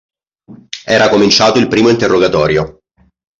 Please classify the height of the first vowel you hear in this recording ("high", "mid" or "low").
mid